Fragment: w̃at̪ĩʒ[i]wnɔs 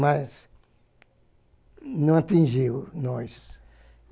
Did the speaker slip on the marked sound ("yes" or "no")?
no